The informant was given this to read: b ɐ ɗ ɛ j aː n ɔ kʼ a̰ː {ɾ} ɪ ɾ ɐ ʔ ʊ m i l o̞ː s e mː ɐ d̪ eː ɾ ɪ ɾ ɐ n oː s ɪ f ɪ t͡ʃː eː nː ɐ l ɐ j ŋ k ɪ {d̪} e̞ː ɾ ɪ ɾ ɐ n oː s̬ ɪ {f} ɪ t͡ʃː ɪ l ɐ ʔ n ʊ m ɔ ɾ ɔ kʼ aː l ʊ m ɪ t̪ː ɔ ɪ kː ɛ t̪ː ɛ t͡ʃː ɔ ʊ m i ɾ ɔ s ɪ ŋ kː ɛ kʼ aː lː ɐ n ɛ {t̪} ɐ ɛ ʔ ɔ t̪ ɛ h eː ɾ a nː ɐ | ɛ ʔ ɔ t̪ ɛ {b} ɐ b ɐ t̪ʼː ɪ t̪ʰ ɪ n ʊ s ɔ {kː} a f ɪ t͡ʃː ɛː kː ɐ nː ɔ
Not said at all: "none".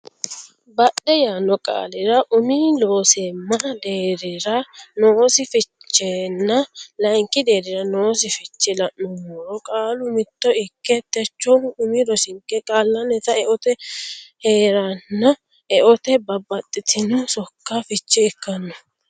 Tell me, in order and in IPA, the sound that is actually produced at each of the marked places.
l, d̪, f, t̪, b, kː

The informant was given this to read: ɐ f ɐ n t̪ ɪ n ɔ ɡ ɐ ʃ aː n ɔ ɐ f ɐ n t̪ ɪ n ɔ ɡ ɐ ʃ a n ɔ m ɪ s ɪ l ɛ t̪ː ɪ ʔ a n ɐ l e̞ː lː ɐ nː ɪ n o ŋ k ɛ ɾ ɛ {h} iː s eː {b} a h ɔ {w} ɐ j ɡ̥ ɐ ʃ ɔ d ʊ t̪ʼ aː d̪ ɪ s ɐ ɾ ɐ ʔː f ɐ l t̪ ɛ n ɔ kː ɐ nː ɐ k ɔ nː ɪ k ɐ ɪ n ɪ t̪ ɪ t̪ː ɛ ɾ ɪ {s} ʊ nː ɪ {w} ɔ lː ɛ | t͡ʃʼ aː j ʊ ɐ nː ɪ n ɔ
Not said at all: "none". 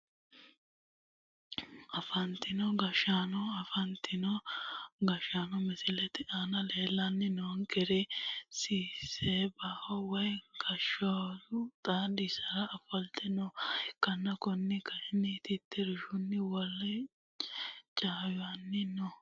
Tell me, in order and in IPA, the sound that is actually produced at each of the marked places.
s, b, w, ʃ, w

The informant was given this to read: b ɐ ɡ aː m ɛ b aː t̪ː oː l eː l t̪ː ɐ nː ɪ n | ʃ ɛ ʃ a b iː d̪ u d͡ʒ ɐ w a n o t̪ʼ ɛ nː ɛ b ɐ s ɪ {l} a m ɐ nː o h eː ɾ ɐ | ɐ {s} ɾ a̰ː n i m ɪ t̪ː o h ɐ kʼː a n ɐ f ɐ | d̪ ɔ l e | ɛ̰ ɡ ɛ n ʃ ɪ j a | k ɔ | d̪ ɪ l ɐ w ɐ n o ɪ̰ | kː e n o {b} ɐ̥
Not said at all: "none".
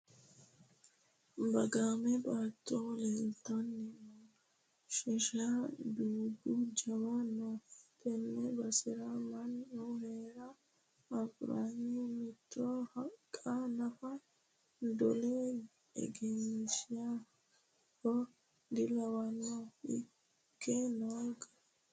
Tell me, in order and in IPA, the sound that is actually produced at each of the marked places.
ɾ, f, ɡ

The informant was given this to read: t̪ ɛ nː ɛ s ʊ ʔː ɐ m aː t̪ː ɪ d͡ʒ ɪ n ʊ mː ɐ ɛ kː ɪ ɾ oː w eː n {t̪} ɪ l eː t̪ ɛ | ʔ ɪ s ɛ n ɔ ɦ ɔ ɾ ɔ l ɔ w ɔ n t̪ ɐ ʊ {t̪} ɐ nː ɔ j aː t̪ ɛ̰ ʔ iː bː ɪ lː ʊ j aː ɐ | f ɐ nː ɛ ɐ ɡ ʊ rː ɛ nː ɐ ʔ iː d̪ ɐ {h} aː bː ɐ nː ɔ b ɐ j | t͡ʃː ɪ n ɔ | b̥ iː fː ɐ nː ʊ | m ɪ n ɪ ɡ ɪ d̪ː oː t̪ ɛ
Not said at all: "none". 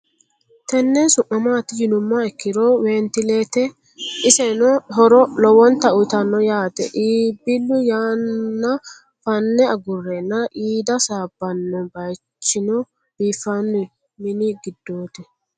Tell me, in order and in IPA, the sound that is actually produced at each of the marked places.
t̪, t̪, s

